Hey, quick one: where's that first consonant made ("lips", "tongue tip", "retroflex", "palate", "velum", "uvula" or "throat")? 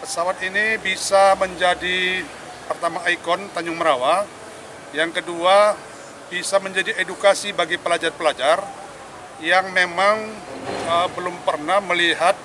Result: lips